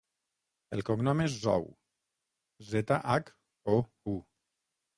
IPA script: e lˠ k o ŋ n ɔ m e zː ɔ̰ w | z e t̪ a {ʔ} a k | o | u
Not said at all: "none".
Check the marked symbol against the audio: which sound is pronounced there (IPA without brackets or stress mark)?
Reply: ʔ